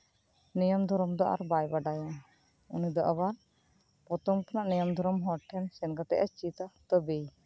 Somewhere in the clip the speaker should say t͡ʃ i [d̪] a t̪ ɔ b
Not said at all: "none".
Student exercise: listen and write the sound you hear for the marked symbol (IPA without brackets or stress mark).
t̪